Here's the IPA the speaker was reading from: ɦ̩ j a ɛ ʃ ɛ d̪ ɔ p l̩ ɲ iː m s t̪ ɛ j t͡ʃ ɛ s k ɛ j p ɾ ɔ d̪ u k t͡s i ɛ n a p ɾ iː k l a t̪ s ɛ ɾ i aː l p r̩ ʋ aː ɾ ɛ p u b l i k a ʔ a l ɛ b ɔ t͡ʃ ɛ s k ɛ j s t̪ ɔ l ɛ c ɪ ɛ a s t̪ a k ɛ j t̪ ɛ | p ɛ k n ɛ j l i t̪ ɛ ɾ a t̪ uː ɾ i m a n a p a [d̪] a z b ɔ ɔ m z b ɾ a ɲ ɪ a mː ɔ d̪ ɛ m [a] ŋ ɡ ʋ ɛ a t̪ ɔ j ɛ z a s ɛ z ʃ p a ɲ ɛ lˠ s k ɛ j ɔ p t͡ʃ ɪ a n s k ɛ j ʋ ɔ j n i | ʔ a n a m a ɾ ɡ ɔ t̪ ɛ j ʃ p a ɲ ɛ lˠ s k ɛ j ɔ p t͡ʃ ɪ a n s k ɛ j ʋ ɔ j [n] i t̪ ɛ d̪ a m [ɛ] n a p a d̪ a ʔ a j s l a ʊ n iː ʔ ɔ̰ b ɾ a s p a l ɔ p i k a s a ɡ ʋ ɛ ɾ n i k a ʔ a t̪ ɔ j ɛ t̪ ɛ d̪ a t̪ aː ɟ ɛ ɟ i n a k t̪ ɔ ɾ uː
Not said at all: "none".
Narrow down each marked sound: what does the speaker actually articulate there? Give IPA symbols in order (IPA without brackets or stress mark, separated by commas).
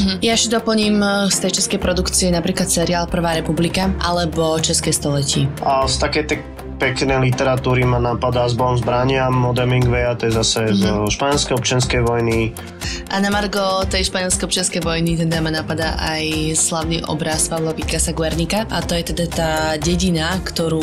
d̪, i, n, a